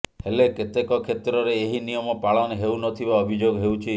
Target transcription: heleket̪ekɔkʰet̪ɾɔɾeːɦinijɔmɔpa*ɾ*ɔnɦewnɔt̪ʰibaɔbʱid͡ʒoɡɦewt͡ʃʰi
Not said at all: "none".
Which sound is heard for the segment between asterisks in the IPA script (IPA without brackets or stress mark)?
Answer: ɭ